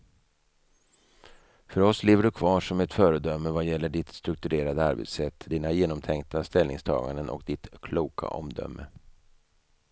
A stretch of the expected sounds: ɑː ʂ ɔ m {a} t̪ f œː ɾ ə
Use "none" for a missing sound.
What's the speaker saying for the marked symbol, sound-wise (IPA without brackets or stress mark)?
ɛ